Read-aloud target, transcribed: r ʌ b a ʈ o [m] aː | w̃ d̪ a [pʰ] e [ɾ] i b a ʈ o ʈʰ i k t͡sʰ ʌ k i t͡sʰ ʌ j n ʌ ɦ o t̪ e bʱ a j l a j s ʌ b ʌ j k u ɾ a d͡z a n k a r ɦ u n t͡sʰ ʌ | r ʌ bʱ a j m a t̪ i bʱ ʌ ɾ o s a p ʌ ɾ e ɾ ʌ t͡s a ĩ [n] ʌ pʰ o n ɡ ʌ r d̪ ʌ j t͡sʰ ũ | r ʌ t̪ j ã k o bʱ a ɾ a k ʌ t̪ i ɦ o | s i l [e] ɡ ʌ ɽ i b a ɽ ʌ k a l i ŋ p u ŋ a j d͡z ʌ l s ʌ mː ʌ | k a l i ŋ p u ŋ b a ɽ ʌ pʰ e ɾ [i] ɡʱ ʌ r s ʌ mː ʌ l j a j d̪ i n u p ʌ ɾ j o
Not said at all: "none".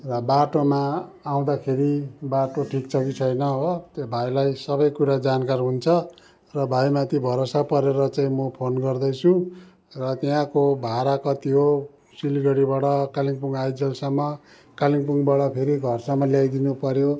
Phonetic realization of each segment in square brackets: m, kʰ, ɾ, m, i, i

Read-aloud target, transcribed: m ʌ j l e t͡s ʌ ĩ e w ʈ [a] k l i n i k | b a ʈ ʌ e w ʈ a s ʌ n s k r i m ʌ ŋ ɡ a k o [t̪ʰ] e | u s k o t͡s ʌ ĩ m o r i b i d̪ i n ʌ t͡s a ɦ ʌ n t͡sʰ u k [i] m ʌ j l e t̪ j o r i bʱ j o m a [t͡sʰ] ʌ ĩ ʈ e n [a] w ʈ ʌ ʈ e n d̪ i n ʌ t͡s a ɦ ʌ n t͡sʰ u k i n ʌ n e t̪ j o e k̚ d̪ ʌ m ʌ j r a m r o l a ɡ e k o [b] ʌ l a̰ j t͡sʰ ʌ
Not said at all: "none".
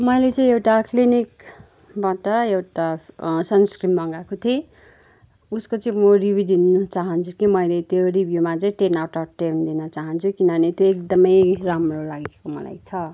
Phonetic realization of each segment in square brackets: a, t̪ʰ, i, t͡s, a, m

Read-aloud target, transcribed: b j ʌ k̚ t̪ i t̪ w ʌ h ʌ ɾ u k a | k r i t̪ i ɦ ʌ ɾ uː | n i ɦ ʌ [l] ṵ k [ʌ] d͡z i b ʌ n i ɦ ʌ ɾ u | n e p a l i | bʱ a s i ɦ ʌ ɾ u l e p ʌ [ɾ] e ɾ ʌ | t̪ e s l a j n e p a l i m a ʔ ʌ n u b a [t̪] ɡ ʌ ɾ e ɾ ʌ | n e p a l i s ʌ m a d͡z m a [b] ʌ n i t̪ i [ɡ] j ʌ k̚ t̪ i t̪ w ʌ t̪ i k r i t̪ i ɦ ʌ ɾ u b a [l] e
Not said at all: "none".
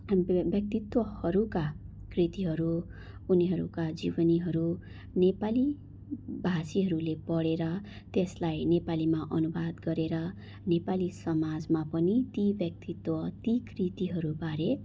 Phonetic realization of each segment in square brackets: ɾ, a, ɽ, d̪, p, b, ɾ

